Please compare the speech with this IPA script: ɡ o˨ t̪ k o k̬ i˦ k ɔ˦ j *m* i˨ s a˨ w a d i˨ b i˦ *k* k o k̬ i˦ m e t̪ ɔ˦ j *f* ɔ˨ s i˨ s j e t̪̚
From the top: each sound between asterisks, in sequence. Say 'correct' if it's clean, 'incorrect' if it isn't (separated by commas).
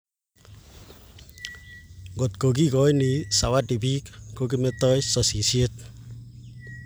incorrect, correct, incorrect